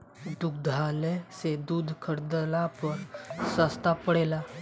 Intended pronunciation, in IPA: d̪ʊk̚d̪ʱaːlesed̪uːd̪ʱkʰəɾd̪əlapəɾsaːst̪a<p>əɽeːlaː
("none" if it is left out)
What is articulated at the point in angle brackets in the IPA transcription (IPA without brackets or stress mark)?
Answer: p